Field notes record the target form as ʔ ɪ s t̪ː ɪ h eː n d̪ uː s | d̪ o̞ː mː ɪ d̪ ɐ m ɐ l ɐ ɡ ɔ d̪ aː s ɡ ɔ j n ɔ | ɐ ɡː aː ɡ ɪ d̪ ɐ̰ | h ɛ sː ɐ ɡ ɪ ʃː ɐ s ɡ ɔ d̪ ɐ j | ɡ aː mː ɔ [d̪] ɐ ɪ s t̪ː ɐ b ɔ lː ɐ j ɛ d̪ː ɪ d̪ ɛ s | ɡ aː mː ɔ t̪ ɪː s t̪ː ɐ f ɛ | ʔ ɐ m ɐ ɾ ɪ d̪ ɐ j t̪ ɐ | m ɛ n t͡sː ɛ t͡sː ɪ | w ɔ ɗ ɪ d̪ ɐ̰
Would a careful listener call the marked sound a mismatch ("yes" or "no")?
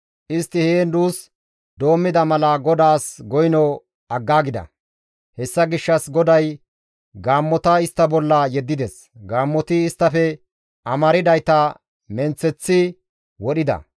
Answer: yes